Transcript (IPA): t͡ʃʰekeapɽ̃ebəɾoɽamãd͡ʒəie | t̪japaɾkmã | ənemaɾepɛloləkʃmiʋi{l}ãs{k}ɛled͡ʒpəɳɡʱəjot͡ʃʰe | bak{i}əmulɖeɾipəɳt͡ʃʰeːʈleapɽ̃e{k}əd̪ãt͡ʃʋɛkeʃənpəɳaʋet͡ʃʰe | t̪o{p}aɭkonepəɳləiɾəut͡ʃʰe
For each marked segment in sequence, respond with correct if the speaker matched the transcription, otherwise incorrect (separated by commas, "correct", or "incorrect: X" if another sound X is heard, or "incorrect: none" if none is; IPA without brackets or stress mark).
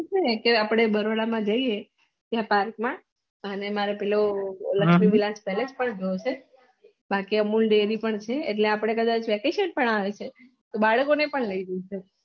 correct, incorrect: p, correct, correct, incorrect: b